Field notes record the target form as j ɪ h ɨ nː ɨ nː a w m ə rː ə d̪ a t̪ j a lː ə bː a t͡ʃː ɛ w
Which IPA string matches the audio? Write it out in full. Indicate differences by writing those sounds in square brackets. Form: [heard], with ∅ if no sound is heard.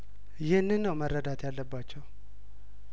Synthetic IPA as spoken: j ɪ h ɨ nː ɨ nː [ə] w m ə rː ə d̪ a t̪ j a lː ə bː a t͡ʃː ɛ w